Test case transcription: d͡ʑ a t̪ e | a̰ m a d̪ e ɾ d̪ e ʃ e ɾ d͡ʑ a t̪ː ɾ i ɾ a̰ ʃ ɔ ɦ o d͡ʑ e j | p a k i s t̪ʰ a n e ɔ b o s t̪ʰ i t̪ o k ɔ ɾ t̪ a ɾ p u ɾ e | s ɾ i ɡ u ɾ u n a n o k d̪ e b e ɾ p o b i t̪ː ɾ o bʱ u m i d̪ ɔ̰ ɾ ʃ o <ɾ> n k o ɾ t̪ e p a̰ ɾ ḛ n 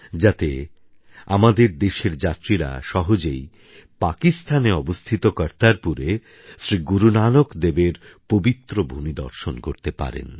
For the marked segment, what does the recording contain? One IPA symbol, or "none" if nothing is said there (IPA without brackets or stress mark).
none